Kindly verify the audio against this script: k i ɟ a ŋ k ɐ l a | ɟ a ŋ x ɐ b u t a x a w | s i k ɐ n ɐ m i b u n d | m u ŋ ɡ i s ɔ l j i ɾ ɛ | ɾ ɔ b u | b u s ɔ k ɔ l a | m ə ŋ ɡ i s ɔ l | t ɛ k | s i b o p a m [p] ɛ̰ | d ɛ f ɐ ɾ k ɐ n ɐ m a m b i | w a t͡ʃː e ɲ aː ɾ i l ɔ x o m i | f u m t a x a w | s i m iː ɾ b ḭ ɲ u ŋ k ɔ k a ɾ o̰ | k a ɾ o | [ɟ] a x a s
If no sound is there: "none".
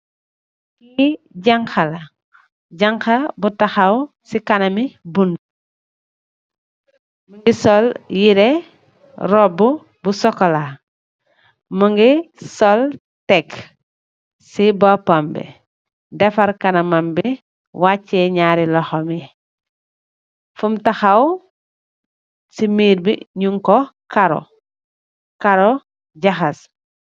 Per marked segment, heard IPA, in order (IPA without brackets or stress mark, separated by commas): b, ɟ